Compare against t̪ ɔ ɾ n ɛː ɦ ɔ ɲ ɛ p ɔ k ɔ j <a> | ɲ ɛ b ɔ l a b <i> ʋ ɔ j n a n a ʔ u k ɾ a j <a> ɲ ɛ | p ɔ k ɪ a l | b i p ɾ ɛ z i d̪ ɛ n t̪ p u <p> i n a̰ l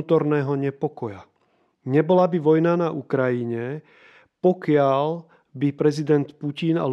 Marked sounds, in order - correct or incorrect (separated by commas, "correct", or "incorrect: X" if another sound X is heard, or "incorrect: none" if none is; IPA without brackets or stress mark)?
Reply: correct, correct, incorrect: i, incorrect: c